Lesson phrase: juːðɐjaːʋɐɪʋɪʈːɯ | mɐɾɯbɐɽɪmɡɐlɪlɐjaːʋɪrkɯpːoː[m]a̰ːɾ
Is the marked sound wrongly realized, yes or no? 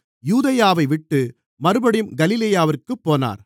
yes